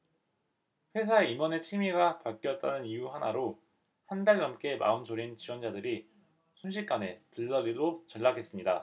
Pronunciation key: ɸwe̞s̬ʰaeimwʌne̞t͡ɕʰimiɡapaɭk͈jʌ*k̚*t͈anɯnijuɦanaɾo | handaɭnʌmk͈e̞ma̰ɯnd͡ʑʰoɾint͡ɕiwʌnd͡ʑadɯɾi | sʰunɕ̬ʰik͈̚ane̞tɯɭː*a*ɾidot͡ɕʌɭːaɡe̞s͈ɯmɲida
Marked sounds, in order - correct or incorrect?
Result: incorrect: t̚, incorrect: ʌ

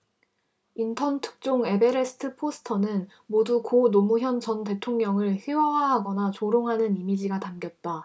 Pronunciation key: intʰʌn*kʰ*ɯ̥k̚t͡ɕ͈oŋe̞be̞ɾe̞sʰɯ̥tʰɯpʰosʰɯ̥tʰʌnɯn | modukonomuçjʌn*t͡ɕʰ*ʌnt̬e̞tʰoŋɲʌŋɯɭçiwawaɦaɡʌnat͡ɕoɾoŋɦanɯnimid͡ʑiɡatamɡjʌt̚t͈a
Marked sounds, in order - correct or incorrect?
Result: incorrect: tʰ, incorrect: t͡ɕ

